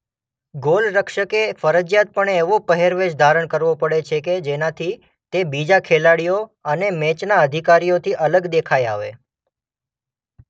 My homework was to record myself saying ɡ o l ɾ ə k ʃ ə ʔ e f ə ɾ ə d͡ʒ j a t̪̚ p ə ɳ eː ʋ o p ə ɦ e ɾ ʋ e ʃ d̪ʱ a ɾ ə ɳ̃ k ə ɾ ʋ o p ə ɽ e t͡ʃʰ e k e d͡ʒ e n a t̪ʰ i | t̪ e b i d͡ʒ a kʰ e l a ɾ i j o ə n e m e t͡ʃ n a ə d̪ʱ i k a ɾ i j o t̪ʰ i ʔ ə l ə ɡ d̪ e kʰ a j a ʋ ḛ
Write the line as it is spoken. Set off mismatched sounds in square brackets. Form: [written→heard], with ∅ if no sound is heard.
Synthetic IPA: ɡ o l ɾ ə k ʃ ə [ʔ→k] e f ə ɾ ə d͡ʒ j a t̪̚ p ə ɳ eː ʋ o p ə ɦ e ɾ ʋ e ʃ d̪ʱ a ɾ ə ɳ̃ k ə ɾ ʋ o p ə ɽ e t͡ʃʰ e k e d͡ʒ e n a t̪ʰ i | t̪ e b i d͡ʒ a kʰ e l a [ɾ→ɽ] i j o ə n e m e t͡ʃ n a ə d̪ʱ i k a ɾ i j o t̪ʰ i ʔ ə l ə ɡ d̪ e kʰ a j a ʋ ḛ

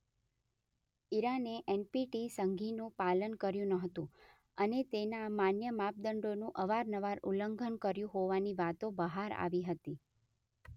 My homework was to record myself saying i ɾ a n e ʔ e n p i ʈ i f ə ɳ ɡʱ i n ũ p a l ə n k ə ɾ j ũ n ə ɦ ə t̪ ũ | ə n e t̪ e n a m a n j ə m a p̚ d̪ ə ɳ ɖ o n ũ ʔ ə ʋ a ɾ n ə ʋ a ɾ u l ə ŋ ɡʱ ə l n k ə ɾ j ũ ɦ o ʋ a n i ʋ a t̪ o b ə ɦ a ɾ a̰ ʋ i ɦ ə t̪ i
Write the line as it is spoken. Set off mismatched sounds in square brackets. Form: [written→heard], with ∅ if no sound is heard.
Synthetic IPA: i ɾ a n e ʔ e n p i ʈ i [f→s] ə [ɳ→ŋ] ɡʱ i n ũ p a l ə n k ə ɾ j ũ n ə ɦ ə t̪ ũ | ə n e t̪ e n a m a n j ə m a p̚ d̪ ə ɳ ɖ o n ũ ʔ ə ʋ a ɾ n ə ʋ a ɾ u l ə ŋ ɡʱ ə [l→∅] n k ə ɾ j ũ ɦ o ʋ a n i ʋ a t̪ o b ə ɦ a ɾ a̰ ʋ i ɦ ə t̪ i

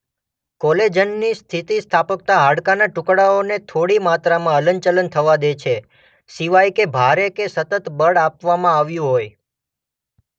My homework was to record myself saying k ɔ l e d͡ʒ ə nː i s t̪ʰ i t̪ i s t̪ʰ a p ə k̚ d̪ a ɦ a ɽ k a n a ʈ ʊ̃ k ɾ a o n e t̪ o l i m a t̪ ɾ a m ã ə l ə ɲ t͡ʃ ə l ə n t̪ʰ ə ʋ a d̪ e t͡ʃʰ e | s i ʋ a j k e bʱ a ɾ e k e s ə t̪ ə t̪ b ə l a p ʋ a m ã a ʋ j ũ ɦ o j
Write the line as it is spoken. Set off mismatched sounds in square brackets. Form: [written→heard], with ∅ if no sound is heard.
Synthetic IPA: k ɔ l e d͡ʒ ə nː i s t̪ʰ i t̪ i s t̪ʰ a p ə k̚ [d̪→t̪] a ɦ a ɽ k a n a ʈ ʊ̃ k [ɾ→ɽ] a o n e [t̪→t̪ʰ] o [l→ɽ] i m a t̪ ɾ a m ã ə l ə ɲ t͡ʃ ə l ə n t̪ʰ ə ʋ a d̪ e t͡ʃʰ e | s i ʋ a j k e bʱ a ɾ e k e s ə t̪ ə t̪ b ə [l→ɽ] a p ʋ a m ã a ʋ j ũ ɦ o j

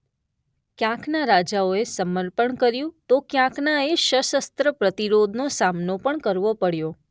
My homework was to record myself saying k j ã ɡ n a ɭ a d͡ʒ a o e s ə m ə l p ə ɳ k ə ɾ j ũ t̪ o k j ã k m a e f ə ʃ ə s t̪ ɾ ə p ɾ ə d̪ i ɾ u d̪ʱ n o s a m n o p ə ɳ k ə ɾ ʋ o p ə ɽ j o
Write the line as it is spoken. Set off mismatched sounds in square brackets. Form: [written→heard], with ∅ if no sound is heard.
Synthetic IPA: k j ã [ɡ→k] n a [ɭ→ɾ] a d͡ʒ a o e s ə m ə [l→ɾ] p ə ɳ k ə ɾ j ũ t̪ o k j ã k [m→n] a e [f→ʃ] ə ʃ ə s t̪ ɾ ə p ɾ ə [d̪→t̪] i ɾ [u→o] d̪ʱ n o s a m n o p ə ɳ k ə ɾ ʋ o p ə ɽ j o

